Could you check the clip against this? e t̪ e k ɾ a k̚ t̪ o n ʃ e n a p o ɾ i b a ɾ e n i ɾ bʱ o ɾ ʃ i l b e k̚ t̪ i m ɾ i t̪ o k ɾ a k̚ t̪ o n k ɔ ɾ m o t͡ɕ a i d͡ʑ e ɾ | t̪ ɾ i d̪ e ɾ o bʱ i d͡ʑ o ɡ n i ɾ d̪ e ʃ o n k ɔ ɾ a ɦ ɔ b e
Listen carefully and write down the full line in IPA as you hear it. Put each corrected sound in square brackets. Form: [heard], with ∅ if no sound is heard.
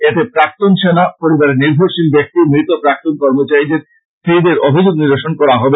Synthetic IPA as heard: e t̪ e [p] ɾ a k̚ t̪ o n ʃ e n a p o ɾ i b a ɾ e n i ɾ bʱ o ɾ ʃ i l b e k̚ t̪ i m ɾ i t̪ o [p] ɾ a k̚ t̪ o n k ɔ ɾ m o t͡ɕ a i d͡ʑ e ɾ | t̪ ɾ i d̪ e ɾ o bʱ i d͡ʑ o ɡ n i ɾ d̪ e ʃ o n k ɔ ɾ a ɦ ɔ b e

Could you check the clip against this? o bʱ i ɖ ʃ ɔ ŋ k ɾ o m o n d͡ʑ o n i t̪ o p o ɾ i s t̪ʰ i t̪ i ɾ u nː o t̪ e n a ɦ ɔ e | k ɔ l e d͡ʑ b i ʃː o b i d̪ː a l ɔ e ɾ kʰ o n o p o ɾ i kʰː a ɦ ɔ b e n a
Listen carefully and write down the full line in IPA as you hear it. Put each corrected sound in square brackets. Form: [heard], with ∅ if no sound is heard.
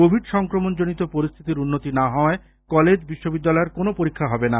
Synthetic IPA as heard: o bʱ i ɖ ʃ ɔ ŋ k ɾ o m o n d͡ʑ o n i t̪ o p o ɾ i s t̪ʰ i t̪ i ɾ u nː o t̪ [i] n a ɦ ɔ e | k ɔ l e d͡ʑ b i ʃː o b i d̪ː a l ɔ e ɾ [k] o n o p o ɾ i kʰː a ɦ ɔ b e n a

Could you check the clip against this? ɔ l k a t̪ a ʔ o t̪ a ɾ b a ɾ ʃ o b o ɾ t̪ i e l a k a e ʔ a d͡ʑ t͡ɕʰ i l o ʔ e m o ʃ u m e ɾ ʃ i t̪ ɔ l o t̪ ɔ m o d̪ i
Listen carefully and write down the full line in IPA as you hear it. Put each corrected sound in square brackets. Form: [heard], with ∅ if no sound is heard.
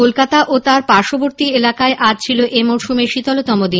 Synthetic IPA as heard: [o] l k a t̪ a ʔ o t̪ a ɾ [p] a ɾ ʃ o b o ɾ t̪ i e l a k a e ʔ a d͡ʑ t͡ɕʰ i l o ʔ e m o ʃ u m e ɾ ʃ i t̪ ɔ l o t̪ ɔ m o d̪ i

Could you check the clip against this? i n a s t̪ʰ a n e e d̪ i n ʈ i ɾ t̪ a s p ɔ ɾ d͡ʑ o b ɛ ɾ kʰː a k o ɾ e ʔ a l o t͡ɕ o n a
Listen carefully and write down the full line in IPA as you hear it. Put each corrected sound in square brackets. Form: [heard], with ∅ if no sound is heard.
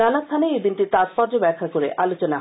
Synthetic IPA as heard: [a] n a s t̪ʰ a n e e d̪ i n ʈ i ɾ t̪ a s p ɔ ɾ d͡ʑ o b ɛ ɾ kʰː a k o ɾ e ʔ a l o t͡ɕ o n a

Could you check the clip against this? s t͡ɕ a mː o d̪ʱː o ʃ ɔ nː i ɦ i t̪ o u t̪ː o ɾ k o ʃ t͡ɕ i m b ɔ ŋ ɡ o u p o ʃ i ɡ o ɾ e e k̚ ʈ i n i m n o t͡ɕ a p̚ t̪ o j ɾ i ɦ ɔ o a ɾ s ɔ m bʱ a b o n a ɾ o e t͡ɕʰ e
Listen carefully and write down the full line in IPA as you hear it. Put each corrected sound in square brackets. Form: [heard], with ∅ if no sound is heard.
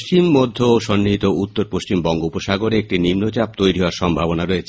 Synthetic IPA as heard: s t͡ɕ [i] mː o d̪ʱː o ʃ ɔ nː i ɦ i t̪ o u t̪ː o ɾ [p] o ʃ t͡ɕ i m b ɔ ŋ ɡ o u p o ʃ [a] ɡ o ɾ e e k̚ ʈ i n i m n o t͡ɕ a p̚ t̪ o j ɾ i ɦ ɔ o a ɾ [ʃ] ɔ m bʱ a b o n a ɾ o e t͡ɕʰ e

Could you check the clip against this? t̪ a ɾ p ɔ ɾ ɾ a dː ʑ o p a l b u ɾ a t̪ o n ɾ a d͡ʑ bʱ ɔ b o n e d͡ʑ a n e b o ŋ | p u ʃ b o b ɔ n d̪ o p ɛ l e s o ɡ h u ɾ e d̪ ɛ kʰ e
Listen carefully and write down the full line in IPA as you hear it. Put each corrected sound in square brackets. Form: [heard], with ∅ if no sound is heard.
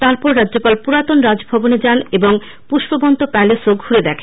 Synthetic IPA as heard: t̪ a ɾ p ɔ ɾ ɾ a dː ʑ o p a l [p] u ɾ a t̪ o n ɾ a d͡ʑ bʱ ɔ b o n e d͡ʑ a n e b o ŋ | p u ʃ b o b ɔ n [t̪] o p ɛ l e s o ɡ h u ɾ e d̪ ɛ kʰ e

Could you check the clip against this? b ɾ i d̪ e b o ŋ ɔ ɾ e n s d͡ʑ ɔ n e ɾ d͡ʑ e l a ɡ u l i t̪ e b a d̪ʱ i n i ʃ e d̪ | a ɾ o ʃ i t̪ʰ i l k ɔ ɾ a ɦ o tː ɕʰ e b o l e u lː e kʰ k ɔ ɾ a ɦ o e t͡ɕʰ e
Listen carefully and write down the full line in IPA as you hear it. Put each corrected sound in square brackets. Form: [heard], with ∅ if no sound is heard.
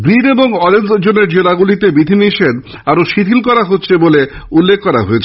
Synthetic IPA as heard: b ɾ i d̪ e b o ŋ ɔ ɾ e n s d͡ʑ [o] n e ɾ d͡ʑ e l a ɡ u l i t̪ e b [i] d̪ʱ i n i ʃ e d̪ | a ɾ o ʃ i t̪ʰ i l k ɔ ɾ a ɦ o tː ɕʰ e b o l e u lː e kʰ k ɔ ɾ a ɦ o e t͡ɕʰ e

